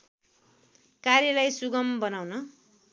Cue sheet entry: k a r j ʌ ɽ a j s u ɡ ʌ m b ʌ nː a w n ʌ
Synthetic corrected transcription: k a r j ʌ l a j s u ɡ ʌ m b ʌ n a w n ʌ